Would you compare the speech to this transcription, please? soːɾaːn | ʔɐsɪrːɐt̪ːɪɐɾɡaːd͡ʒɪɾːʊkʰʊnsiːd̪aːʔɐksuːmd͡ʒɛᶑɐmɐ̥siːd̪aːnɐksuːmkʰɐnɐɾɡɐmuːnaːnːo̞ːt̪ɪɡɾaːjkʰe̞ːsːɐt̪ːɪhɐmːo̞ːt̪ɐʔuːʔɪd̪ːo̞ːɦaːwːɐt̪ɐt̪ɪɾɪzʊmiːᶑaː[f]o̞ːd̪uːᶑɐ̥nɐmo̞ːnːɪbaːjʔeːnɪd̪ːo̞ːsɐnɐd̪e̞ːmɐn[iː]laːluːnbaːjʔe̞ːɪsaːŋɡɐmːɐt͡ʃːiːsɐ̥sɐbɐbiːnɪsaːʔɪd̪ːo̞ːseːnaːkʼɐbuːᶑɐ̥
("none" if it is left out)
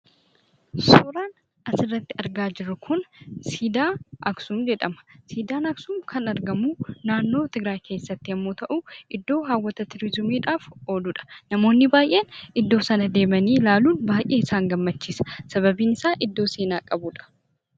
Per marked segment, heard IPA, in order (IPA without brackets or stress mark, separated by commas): f, iː